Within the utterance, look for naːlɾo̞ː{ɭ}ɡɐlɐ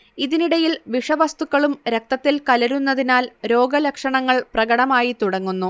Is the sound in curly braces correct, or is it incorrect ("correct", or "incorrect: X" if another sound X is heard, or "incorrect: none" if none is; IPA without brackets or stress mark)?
incorrect: none